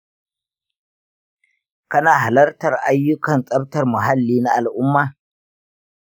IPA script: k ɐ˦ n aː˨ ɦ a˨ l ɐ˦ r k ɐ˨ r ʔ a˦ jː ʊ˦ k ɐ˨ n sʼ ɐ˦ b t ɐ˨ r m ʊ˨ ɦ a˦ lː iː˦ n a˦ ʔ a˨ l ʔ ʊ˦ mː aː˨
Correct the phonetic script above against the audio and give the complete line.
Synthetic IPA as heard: k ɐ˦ n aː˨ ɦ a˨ l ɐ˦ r t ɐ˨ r ʔ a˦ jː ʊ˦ k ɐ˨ n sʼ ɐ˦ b t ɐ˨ r m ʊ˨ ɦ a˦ lː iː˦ n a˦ ʔ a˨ l ʔ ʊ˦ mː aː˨